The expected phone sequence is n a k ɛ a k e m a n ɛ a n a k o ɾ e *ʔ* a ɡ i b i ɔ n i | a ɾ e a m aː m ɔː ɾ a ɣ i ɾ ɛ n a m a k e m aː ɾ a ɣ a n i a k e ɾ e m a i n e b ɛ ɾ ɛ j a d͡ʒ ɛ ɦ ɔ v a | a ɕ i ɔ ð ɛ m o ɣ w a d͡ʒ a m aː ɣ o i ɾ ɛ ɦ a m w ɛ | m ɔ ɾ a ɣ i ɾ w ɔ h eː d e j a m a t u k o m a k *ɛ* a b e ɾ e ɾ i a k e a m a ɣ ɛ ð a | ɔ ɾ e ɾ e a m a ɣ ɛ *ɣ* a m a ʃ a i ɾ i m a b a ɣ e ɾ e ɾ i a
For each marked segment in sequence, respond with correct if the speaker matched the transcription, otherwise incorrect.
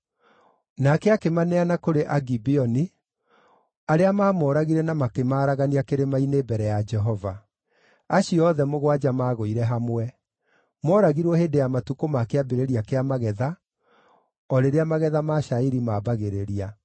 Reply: correct, incorrect: e, incorrect: ð

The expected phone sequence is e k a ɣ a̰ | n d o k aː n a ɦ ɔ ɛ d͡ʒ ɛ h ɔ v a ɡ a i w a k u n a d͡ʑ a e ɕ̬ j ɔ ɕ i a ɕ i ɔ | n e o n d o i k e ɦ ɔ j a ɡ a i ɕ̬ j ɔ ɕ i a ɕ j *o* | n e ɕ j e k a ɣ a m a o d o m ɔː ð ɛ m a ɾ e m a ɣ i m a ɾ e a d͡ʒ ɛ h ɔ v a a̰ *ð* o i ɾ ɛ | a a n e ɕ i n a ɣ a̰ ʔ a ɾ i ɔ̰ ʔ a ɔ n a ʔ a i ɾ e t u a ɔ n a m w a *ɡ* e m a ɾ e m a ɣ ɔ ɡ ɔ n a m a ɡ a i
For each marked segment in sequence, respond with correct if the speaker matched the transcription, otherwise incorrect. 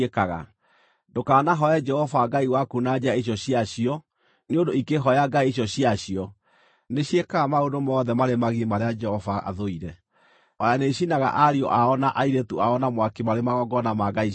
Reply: incorrect: ɔ, correct, incorrect: k

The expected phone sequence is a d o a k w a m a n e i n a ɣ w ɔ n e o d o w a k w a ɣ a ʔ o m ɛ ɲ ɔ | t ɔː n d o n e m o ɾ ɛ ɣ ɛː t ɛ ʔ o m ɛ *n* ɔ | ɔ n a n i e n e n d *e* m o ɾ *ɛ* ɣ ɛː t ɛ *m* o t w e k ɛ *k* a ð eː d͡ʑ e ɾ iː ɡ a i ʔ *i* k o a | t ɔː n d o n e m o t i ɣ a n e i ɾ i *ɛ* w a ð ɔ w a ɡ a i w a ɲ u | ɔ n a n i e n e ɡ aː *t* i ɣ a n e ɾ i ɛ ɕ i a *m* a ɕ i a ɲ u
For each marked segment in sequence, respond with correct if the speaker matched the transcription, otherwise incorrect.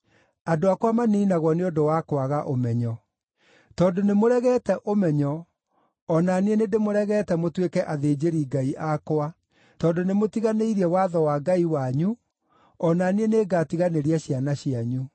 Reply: incorrect: ɲ, correct, correct, correct, incorrect: ʔ, incorrect: a, correct, correct, incorrect: n

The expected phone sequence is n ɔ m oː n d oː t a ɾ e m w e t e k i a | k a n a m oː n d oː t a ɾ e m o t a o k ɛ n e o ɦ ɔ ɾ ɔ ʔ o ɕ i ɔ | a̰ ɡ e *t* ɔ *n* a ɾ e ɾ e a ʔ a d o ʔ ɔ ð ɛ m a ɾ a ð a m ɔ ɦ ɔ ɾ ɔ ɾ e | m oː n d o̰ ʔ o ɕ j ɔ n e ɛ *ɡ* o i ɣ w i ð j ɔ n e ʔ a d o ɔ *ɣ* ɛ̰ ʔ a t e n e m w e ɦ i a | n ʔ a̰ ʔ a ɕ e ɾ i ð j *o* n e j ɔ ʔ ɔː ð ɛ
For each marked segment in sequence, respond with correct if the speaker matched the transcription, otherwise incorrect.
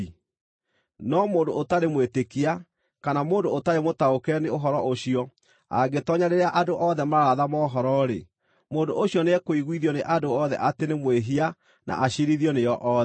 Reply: correct, incorrect: ɲ, incorrect: k, incorrect: ð, incorrect: ɔ

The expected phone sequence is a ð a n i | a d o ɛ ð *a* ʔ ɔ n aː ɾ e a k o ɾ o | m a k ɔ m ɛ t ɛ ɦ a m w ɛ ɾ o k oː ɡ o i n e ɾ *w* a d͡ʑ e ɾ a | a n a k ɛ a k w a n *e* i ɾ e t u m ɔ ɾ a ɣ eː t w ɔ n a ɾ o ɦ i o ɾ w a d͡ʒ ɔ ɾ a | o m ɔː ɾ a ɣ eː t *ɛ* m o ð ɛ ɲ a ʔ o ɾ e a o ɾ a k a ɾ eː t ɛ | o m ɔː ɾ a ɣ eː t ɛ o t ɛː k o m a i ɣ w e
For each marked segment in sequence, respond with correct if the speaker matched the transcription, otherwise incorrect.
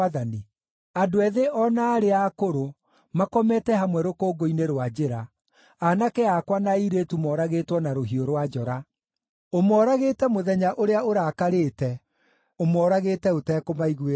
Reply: incorrect: e, correct, incorrect: a, correct

